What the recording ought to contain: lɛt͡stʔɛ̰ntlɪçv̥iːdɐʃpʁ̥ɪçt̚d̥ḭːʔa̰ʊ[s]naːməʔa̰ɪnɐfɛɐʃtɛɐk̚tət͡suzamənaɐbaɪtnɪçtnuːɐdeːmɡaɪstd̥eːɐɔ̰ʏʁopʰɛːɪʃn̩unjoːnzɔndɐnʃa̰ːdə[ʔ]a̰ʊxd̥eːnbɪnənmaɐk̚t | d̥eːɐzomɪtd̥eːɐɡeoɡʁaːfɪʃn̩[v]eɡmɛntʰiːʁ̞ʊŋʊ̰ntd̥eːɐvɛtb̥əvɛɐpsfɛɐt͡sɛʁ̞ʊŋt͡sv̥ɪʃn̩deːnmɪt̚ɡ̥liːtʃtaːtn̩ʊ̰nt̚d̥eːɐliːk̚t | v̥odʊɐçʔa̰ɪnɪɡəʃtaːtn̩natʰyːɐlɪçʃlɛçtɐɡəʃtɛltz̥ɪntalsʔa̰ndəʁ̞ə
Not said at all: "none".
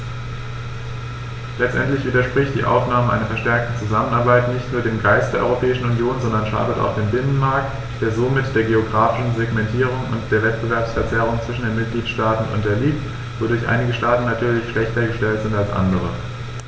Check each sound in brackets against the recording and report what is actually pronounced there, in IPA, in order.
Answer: f, t, z

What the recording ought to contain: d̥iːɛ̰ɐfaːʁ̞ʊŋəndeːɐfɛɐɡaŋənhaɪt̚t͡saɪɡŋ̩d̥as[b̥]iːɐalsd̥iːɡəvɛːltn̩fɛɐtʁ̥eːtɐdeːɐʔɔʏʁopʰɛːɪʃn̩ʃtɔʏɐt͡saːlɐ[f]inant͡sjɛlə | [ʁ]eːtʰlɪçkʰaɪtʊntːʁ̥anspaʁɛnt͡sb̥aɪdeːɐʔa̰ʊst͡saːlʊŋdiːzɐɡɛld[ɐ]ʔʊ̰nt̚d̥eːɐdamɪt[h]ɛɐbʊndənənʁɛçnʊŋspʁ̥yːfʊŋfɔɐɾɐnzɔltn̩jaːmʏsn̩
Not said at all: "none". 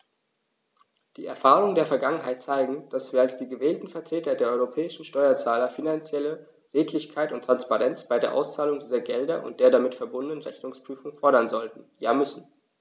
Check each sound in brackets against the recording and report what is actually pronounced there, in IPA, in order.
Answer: v̥, f, ʁ, ɐ, f

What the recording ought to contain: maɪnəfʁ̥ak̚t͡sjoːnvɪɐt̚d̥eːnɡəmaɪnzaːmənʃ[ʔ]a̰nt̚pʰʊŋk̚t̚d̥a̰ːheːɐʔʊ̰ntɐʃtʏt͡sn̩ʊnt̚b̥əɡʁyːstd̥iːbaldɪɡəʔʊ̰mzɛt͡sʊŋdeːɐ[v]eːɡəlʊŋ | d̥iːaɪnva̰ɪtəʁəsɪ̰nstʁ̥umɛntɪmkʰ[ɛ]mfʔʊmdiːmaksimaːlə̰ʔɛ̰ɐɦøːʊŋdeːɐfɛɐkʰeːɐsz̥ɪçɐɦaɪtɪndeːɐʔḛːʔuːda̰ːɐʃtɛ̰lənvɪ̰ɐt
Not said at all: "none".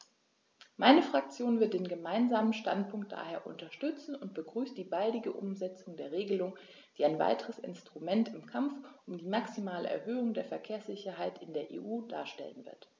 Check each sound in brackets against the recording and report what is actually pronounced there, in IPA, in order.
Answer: t, ʁ, a

